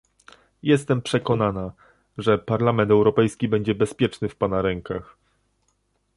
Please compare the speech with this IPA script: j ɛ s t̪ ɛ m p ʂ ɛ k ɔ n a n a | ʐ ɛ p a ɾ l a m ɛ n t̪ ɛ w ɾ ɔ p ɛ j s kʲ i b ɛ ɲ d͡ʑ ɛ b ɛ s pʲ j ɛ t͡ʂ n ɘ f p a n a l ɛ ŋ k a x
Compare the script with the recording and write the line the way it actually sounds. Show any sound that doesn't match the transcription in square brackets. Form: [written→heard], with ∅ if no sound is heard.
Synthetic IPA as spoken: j ɛ s t̪ ɛ m p ʂ ɛ k ɔ n a n a | ʐ ɛ p a ɾ l a m ɛ n t̪ ɛ w ɾ ɔ p ɛ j s kʲ i b ɛ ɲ d͡ʑ ɛ b ɛ s pʲ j ɛ t͡ʂ n ɘ f p a n a [l→ɾ] ɛ ŋ k a x